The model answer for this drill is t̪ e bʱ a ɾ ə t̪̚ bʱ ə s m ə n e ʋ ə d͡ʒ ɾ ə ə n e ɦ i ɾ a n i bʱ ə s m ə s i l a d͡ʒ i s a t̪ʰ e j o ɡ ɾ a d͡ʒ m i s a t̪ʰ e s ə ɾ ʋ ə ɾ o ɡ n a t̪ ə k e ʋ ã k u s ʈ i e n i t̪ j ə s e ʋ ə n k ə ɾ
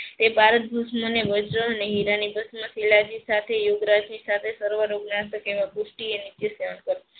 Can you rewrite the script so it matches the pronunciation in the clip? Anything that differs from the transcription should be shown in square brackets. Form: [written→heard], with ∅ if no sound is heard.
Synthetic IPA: t̪ e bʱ a ɾ ə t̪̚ bʱ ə s m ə n e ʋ ə d͡ʒ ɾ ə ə n e ɦ i ɾ a n i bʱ ə s m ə s i l a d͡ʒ i s a t̪ʰ e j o ɡ ɾ a d͡ʒ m i s a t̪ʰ e s ə ɾ ʋ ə ɾ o ɡ n a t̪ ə k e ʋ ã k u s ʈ i e n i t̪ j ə s e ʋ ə n k ə ɾ

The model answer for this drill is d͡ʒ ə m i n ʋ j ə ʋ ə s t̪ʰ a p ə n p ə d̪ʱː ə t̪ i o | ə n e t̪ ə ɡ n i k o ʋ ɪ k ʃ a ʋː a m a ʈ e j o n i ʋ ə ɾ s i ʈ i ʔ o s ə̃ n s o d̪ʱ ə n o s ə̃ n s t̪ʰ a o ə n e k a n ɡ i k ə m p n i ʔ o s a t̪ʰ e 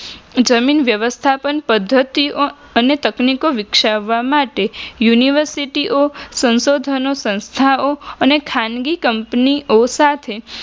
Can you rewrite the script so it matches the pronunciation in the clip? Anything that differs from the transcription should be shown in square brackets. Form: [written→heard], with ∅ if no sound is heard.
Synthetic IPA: d͡ʒ ə m i n ʋ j ə ʋ ə s t̪ʰ a p ə n p ə d̪ʱː ə t̪ i o | ə n e t̪ ə [ɡ→k] n i k o ʋ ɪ k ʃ a ʋː a m a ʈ e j [o→u] n i ʋ ə ɾ s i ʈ i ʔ o s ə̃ n s o d̪ʱ ə n o s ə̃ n s t̪ʰ a o ə n e [k→kʰ] a n ɡ i k ə m p n i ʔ o s a t̪ʰ e

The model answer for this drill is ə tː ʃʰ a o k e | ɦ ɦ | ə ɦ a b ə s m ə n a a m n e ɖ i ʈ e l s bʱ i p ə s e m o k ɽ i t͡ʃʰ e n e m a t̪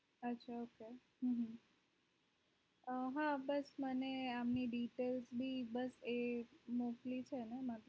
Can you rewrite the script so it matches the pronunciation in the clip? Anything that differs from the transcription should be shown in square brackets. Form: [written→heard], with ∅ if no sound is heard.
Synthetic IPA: ə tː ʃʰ a o k e | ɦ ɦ | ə ɦ a b ə s m ə n [a→e] a m n [e→i] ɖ i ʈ e l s bʱ i [p→b] ə s e m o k [ɽ→l] i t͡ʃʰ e n e m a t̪

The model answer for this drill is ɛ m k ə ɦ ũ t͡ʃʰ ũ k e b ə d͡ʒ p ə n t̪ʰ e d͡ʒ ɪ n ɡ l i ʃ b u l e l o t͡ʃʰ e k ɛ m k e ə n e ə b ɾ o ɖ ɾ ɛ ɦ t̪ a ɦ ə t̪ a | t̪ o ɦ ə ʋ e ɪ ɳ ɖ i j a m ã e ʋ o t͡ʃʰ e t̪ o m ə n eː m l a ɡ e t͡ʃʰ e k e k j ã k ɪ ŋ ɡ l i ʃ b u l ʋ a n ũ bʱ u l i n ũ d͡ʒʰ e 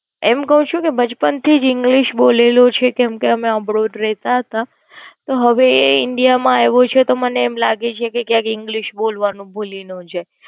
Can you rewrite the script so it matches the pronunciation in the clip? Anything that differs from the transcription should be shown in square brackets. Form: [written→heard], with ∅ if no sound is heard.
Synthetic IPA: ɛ m k ə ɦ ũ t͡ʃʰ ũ k e b ə d͡ʒ p ə n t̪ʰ [e→i] d͡ʒ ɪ [n→ŋ] ɡ l i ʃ b [u→o] l e l o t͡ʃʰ e k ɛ m k e ə [n→m] e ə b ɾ o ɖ ɾ ɛ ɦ t̪ a ɦ ə t̪ a | t̪ o ɦ ə ʋ e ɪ ɳ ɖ i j a m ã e ʋ o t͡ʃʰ e t̪ o m ə n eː m l a ɡ e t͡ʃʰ e k e k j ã k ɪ ŋ ɡ l i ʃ b [u→o] l ʋ a n ũ bʱ u l i n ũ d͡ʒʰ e

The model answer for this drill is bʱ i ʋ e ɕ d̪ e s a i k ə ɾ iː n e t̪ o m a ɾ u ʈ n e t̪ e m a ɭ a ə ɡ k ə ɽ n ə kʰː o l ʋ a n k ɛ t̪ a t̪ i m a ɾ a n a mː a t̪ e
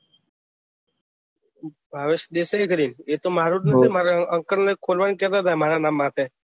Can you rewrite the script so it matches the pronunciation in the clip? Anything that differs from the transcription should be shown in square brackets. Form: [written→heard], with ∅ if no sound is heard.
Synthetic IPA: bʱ [i→a] ʋ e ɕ d̪ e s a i k ə ɾ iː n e t̪ o m a ɾ u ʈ n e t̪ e m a [ɭ→ɾ] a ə [ɡ→ŋ] k ə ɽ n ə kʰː o l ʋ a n k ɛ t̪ a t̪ [i→a] m a ɾ a n a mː a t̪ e

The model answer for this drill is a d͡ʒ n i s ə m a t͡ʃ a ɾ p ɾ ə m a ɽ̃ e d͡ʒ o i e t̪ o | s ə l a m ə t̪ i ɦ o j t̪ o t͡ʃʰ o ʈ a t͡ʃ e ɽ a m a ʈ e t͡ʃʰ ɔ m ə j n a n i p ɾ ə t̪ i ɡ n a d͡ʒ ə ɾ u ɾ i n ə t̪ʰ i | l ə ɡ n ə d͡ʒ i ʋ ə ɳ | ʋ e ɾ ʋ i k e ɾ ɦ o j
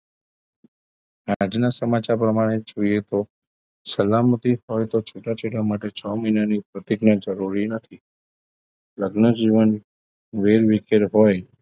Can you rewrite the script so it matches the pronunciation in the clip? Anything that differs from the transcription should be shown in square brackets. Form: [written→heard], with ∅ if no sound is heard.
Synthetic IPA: a d͡ʒ n [i→a] s ə m a t͡ʃ a ɾ p ɾ ə m a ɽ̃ e d͡ʒ o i e t̪ o | s ə l a m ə t̪ i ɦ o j t̪ o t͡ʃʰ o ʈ a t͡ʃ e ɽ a m a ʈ e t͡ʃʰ ɔ m ə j n a n i p ɾ ə t̪ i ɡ n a d͡ʒ ə ɾ u ɾ i n ə t̪ʰ i | l ə ɡ n ə d͡ʒ i ʋ ə [ɳ→n] | ʋ e ɾ ʋ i k e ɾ ɦ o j

